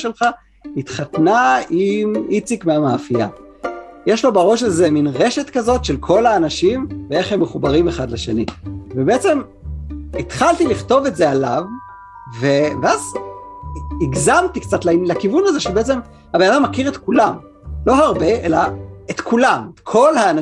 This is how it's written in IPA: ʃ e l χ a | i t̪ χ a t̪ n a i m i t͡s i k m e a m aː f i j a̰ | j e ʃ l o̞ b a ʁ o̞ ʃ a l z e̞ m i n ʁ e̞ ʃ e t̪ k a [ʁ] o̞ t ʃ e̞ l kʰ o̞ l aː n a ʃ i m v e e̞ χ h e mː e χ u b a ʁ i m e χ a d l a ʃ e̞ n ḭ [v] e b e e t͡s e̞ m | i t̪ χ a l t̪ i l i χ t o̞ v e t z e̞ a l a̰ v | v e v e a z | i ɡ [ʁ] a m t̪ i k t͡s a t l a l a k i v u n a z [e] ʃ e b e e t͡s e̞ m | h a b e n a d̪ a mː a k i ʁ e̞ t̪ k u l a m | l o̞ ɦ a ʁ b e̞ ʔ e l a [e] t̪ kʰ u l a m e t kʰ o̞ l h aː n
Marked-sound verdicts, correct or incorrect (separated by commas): incorrect, correct, incorrect, correct, correct